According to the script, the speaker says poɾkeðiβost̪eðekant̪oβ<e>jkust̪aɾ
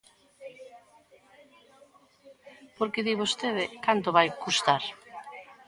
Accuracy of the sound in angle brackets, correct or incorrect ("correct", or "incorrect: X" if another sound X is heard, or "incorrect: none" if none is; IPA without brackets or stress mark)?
incorrect: a